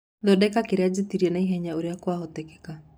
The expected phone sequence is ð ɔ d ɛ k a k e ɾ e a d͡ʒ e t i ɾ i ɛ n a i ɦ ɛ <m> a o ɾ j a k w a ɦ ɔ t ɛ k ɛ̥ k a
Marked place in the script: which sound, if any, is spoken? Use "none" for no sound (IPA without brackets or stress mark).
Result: ɲ